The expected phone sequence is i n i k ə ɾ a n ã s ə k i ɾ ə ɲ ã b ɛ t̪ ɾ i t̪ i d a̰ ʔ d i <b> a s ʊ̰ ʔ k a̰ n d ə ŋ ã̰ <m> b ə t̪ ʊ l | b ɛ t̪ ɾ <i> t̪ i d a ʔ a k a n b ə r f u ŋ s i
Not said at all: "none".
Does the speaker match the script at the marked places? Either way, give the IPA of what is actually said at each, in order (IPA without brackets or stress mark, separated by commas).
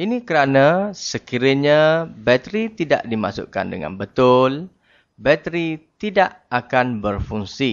m, n, i